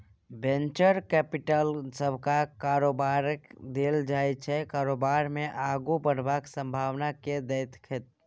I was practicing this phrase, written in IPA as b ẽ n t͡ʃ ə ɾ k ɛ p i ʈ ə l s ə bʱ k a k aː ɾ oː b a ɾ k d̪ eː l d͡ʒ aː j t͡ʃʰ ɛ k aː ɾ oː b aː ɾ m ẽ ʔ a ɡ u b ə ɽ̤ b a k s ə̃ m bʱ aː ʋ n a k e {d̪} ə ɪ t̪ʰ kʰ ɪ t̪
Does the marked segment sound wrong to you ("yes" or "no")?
no